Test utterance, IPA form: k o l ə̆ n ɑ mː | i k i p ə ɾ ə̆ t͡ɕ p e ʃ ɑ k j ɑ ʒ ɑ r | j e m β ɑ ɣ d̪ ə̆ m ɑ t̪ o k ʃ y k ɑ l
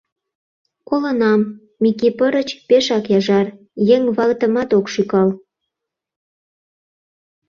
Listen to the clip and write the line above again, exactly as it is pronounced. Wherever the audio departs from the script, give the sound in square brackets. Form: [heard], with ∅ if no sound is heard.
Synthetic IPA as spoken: k o l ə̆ n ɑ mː | i k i p ə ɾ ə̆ t͡ɕ p e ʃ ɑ k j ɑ ʒ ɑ r | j e [ŋ] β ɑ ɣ [t̪] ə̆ m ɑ t̪ o k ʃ y k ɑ l

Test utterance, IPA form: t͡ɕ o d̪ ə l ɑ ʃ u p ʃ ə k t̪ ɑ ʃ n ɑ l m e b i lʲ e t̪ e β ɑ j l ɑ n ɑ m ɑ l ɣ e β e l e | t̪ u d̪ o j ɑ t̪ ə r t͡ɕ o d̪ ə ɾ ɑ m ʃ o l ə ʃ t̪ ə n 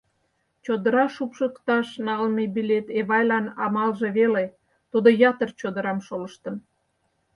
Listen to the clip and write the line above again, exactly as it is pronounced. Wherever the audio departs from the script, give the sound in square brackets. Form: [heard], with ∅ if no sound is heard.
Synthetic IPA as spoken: t͡ɕ o d̪ ə [ɾ] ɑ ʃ u p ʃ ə k t̪ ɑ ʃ n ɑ l m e b i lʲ e t̪ e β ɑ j l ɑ n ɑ m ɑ l [ʒ] e β e l e | t̪ u d̪ o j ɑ t̪ ə r t͡ɕ o d̪ ə ɾ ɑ m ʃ o l ə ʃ t̪ ə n

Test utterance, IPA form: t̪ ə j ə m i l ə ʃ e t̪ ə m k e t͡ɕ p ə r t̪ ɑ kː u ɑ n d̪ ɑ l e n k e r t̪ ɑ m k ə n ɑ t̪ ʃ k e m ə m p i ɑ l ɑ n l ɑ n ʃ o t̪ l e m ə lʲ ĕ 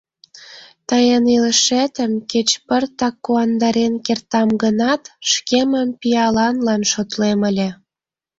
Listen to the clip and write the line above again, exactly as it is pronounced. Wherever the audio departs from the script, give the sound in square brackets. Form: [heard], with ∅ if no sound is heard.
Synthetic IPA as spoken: t̪ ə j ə [n] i l ə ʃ e t̪ ə m k e t͡ɕ p ə r t̪ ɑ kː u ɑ n d̪ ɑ [ɾ] e n k e r t̪ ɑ m [ɡ] ə n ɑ t̪ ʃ k e m ə m p i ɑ l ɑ n l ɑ n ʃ o t̪ l e m ə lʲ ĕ

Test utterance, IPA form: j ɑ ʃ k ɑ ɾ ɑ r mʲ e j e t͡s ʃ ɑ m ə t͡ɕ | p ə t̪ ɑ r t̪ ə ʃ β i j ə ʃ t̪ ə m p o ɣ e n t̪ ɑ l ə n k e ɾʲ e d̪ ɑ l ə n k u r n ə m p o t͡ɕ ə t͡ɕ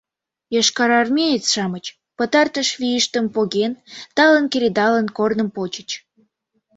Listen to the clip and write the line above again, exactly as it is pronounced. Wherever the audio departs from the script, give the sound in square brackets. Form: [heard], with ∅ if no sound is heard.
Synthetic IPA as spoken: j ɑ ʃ k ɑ ɾ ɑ r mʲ e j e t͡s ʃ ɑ m ə t͡ɕ | p ə t̪ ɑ r t̪ ə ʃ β i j ə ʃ t̪ ə m p o ɣ e n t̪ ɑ l ə n k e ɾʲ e d̪ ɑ l ə n k [o] r n ə m p o t͡ɕ ə t͡ɕ

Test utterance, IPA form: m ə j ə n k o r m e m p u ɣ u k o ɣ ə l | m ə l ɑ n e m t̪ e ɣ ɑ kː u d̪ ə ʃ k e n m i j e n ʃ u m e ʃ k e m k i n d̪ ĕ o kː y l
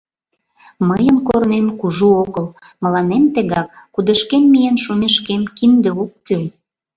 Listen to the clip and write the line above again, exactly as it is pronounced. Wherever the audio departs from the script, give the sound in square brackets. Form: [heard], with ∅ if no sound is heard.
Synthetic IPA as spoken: m ə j ə n k o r [n] e m [k] u [ʒ] u [∅] o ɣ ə l | m ə l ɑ n e m t̪ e ɣ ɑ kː u d̪ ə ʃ k e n m i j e n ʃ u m e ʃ k e m k i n d̪ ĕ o kː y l

